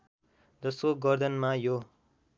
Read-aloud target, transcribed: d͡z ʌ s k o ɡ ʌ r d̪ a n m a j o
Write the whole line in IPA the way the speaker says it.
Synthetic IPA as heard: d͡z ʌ s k o ɡ ʌ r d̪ ʌ n m a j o